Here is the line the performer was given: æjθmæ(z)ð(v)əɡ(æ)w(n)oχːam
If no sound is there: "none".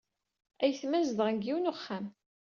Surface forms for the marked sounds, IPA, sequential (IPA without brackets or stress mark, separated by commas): z, ʁ, i, n